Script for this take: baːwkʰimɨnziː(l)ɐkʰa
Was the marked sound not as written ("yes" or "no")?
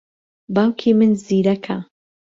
yes